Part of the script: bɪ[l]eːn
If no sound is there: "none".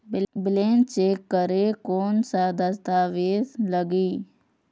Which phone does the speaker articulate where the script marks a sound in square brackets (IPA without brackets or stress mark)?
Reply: l